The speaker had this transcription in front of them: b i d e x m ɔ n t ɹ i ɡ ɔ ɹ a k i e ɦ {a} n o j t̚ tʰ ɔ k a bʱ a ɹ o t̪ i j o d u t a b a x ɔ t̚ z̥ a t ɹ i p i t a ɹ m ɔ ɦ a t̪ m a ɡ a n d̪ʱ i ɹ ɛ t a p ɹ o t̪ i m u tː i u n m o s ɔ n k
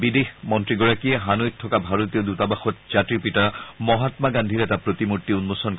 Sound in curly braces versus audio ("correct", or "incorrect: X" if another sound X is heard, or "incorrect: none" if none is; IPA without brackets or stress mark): correct